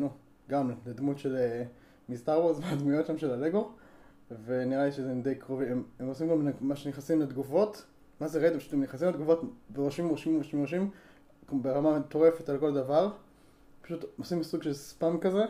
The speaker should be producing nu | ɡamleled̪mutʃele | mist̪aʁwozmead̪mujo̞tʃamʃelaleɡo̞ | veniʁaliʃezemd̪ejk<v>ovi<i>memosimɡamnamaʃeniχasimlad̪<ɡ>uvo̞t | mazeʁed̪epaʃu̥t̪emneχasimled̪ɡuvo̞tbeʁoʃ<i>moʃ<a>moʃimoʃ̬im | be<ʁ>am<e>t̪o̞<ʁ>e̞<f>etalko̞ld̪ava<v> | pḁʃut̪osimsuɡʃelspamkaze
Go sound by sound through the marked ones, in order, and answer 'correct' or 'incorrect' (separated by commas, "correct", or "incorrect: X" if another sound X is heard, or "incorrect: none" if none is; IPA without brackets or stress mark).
incorrect: ʁ, incorrect: e, correct, correct, incorrect: i, correct, incorrect: a, correct, correct, incorrect: ʁ